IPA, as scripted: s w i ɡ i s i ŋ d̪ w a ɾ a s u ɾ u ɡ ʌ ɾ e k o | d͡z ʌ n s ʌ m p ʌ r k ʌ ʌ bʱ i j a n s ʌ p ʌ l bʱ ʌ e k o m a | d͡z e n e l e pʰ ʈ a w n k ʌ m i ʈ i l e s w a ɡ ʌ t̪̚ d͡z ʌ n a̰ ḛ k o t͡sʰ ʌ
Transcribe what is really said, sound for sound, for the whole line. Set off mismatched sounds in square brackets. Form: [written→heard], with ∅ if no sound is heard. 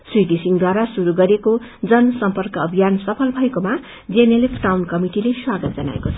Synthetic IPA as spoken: s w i ɡ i s i ŋ d̪ w a ɾ a s u ɾ u ɡ ʌ ɾ e k o | d͡z ʌ n s ʌ m p ʌ r k ʌ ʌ bʱ i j a n s ʌ [p→pʰ] ʌ l bʱ ʌ e k o m a | d͡z e n e l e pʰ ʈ a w n k ʌ m i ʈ i l e s w a ɡ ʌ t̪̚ d͡z ʌ n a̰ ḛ k o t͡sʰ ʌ